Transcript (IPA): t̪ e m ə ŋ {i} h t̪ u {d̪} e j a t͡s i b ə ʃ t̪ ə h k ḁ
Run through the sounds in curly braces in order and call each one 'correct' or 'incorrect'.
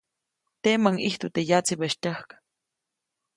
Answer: correct, incorrect

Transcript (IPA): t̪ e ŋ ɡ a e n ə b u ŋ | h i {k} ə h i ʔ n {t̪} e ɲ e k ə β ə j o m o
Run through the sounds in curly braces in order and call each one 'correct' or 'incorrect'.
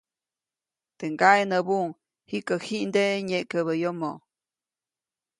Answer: correct, incorrect

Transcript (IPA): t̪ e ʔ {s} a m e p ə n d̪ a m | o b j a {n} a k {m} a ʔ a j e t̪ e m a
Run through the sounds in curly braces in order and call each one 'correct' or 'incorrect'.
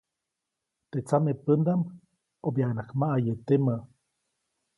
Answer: incorrect, correct, correct

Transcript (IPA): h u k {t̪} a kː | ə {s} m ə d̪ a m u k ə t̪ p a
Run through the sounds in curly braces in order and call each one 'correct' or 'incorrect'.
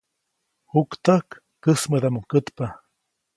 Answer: correct, correct

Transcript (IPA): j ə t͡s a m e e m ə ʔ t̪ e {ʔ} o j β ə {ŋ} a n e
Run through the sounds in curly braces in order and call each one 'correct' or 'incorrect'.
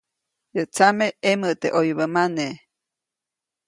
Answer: correct, incorrect

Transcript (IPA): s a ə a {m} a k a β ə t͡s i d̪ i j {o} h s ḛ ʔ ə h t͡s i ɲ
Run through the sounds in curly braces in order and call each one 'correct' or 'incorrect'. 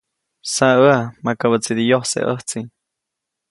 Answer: correct, correct

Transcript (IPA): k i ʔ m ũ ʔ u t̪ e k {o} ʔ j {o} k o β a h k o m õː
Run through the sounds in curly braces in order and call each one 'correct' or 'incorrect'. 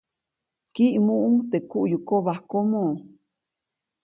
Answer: incorrect, incorrect

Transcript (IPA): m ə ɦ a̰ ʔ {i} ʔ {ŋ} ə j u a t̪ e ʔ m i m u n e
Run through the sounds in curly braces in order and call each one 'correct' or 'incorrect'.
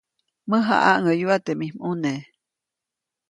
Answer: incorrect, correct

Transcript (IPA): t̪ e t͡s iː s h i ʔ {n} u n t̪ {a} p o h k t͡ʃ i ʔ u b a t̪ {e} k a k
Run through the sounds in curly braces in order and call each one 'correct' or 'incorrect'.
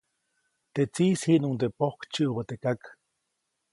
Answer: correct, incorrect, correct

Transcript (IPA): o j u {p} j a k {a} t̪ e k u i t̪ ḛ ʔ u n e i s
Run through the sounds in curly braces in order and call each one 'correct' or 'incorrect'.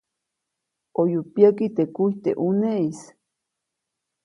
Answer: correct, incorrect

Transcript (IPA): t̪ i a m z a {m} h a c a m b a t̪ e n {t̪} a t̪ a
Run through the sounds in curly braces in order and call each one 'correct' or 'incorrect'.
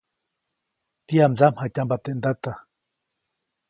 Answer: correct, incorrect

